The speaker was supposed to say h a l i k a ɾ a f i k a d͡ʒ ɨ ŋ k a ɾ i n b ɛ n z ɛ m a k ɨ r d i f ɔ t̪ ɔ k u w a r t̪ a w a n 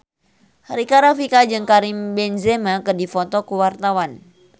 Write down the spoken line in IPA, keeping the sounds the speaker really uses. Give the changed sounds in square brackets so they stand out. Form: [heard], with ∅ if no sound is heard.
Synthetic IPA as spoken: h a [ɾ] i k a ɾ a f i k a d͡ʒ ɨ ŋ k a ɾ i [m] b ɛ n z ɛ m a k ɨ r d i f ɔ t̪ ɔ k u w a r t̪ a w a n